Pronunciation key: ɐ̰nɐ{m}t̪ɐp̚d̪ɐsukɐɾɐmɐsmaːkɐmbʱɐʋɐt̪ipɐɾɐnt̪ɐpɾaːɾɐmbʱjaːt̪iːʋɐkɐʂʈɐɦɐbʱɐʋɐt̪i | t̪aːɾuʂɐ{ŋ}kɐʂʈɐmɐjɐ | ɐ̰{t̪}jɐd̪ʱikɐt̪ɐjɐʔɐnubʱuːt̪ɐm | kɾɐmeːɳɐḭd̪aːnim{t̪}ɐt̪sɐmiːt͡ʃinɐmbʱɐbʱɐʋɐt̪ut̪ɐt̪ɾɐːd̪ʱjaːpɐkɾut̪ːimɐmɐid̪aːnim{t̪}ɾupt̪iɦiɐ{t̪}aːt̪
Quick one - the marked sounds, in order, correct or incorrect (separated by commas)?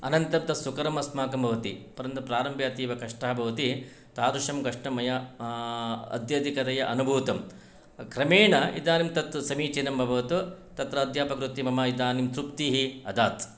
incorrect, incorrect, incorrect, correct, correct, incorrect